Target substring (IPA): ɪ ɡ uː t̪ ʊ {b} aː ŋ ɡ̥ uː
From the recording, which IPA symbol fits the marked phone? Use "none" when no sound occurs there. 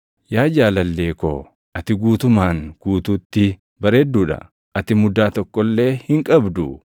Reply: m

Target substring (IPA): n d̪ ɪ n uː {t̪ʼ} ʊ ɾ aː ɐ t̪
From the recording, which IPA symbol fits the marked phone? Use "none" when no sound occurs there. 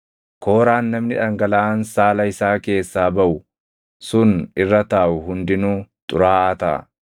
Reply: t̪ʼ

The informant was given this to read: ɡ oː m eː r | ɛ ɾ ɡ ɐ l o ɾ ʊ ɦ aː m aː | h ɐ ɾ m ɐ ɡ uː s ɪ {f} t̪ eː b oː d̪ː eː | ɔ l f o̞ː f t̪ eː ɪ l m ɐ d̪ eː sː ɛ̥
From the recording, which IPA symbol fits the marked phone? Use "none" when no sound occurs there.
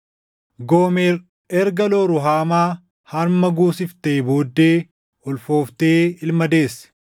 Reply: f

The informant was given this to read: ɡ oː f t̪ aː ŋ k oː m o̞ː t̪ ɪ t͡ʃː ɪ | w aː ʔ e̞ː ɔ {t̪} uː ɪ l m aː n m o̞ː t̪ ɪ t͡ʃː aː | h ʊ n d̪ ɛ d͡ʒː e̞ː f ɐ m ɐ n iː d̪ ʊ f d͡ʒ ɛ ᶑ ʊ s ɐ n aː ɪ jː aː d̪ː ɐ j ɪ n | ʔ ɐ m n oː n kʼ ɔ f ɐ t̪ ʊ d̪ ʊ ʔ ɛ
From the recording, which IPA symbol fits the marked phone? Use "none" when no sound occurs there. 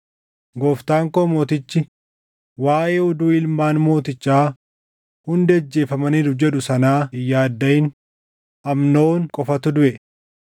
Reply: d̪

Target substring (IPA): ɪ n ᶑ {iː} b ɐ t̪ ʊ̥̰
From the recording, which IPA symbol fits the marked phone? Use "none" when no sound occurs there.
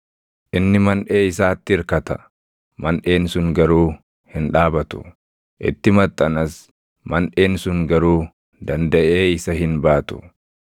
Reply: aː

